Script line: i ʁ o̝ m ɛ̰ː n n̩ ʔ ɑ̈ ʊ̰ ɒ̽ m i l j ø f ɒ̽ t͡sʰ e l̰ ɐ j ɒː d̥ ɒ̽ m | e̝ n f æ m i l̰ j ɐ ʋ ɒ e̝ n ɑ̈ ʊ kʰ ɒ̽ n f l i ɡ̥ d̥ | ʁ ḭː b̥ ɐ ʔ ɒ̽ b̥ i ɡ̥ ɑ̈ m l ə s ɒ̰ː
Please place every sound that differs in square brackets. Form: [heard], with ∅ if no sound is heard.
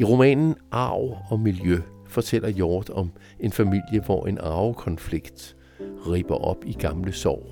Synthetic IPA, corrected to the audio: i ʁ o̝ m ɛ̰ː n n̩ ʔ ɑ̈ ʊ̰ ɒ̽ m i l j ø f ɒ̽ t͡sʰ e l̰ ɐ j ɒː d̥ ɒ̽ m | e̝ n f æ m i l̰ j [ə] ʋ ɒ e̝ n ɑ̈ ʊ kʰ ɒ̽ n f l i ɡ̥ d̥ | ʁ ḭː b̥ ɐ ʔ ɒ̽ b̥ i ɡ̥ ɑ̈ m l ə s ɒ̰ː